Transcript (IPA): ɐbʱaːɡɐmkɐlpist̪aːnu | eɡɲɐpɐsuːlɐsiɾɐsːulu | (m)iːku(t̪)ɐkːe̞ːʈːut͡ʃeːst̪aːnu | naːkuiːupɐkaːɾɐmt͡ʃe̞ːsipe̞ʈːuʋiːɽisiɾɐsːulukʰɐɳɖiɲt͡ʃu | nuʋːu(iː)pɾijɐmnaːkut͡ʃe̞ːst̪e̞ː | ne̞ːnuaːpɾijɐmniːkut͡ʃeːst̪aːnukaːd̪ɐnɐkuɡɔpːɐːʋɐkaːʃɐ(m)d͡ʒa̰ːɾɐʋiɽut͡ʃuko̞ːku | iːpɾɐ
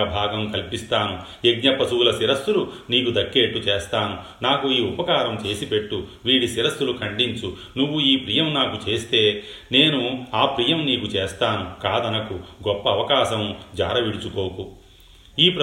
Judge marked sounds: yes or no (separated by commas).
no, no, yes, yes